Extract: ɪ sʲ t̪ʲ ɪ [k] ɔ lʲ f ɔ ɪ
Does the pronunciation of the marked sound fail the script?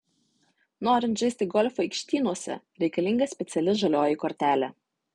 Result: yes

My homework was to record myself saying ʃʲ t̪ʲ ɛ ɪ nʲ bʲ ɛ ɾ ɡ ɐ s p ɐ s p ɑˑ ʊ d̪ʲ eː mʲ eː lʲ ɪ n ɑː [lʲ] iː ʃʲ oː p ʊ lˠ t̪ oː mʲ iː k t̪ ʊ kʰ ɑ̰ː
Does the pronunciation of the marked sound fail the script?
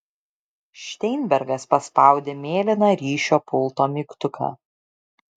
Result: yes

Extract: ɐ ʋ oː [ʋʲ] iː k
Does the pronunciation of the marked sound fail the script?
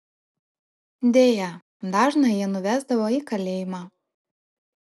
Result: yes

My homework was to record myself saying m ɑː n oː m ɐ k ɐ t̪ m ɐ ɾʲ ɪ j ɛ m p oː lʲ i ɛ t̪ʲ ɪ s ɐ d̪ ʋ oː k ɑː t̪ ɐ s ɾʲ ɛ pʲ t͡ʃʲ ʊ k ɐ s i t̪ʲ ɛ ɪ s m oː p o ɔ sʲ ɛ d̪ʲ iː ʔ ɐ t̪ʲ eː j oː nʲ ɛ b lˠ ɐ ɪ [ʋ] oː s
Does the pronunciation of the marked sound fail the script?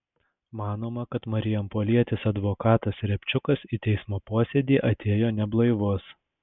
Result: no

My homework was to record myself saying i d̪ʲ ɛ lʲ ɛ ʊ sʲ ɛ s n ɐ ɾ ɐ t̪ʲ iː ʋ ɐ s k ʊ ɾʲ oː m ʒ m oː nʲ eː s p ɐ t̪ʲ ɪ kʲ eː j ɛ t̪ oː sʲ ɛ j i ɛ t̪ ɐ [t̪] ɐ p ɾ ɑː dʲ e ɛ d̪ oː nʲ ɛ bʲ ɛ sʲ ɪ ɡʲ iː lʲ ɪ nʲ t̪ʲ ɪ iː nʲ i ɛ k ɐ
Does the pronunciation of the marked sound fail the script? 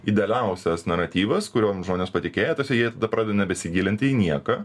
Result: yes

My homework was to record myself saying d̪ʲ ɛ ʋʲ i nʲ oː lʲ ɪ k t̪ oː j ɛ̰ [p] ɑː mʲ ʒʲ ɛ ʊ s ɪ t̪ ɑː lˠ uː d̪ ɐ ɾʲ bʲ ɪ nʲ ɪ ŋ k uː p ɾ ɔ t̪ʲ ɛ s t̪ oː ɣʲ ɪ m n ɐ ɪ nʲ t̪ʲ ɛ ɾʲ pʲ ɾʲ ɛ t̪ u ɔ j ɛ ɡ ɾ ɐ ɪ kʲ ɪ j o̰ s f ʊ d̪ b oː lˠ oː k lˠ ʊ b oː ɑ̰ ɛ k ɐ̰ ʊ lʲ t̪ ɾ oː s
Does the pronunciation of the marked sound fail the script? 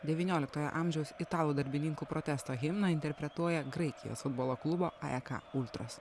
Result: yes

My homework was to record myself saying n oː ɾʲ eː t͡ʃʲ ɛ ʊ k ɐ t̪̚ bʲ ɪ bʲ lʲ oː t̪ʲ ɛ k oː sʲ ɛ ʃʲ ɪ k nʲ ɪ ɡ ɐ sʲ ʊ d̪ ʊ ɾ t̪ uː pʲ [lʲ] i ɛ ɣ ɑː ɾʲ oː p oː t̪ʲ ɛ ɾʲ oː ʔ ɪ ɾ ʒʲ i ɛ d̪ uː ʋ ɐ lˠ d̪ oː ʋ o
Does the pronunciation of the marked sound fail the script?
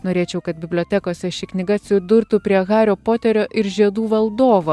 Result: yes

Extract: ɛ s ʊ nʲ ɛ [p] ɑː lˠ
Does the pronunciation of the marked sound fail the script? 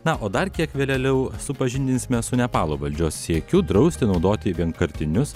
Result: no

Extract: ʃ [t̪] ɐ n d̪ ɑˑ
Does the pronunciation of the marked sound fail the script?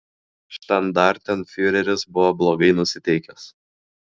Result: no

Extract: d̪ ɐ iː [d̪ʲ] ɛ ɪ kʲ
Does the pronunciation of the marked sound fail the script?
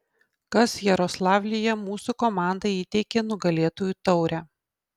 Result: yes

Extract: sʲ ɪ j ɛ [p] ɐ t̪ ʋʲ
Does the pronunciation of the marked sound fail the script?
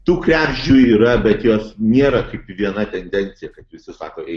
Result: yes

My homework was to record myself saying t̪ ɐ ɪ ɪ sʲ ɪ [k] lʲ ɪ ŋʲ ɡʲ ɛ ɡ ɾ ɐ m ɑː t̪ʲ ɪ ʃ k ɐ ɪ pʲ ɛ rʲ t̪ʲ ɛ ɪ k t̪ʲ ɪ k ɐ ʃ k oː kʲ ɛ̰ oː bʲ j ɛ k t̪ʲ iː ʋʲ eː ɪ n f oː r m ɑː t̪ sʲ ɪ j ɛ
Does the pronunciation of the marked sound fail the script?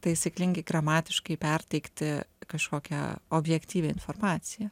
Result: no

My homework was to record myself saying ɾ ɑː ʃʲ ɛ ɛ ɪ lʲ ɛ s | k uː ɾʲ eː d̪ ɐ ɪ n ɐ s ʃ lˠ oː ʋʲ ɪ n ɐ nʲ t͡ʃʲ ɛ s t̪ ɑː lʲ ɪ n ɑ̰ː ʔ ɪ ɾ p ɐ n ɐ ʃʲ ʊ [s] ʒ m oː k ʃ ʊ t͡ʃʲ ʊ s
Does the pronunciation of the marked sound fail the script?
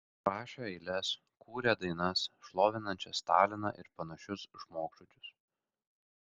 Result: no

